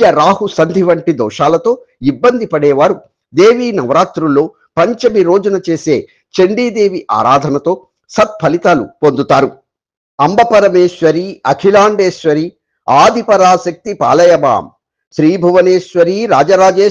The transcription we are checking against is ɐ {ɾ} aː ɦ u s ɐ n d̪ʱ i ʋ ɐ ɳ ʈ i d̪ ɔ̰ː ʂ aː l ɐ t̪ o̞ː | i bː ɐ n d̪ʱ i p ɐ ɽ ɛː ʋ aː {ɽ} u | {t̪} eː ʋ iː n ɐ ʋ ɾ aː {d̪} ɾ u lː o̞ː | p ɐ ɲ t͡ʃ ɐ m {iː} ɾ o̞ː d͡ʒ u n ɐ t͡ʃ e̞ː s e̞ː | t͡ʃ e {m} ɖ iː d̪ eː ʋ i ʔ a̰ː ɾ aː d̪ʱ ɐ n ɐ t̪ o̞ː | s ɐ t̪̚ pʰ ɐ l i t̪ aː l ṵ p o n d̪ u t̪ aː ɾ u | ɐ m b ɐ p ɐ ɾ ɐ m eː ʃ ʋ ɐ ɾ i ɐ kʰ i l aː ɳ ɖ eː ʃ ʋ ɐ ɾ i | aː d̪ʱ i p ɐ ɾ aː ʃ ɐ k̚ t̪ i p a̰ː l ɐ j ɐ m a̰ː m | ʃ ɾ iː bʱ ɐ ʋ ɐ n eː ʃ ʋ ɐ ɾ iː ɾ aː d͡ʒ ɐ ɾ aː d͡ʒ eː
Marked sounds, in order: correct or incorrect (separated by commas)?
correct, incorrect, incorrect, incorrect, incorrect, incorrect